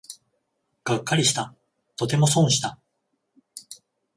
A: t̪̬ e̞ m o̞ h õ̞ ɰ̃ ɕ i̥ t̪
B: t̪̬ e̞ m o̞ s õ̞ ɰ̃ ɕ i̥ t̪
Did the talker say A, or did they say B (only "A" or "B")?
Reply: B